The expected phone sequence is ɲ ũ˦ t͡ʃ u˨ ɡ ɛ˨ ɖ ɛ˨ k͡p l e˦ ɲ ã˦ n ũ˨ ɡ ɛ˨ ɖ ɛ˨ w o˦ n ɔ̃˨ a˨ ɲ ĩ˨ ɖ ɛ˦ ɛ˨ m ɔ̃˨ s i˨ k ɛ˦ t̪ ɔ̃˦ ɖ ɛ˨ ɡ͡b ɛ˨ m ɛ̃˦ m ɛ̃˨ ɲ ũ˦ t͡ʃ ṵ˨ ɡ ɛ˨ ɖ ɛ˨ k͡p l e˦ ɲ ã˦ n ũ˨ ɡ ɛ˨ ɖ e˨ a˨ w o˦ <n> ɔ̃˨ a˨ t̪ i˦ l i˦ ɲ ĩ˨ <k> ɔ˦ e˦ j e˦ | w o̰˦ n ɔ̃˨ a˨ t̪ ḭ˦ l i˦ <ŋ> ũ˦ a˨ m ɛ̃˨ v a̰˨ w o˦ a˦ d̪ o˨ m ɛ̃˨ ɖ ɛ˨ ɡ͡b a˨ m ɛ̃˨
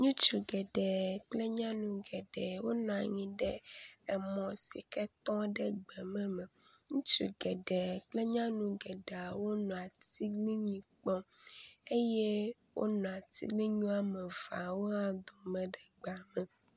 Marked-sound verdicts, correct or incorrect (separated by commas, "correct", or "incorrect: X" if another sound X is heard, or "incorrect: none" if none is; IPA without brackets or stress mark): correct, incorrect: k͡p, incorrect: ɲ